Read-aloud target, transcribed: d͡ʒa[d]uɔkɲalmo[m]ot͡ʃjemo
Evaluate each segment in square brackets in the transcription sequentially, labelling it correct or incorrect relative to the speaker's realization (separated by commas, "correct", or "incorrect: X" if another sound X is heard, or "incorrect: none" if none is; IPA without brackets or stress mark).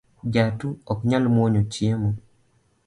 incorrect: t, incorrect: ɲ